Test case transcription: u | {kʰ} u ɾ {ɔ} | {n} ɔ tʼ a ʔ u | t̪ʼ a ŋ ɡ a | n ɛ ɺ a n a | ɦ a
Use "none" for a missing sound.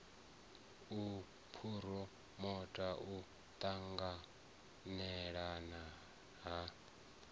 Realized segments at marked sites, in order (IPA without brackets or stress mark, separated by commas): pʰ, ɔ, m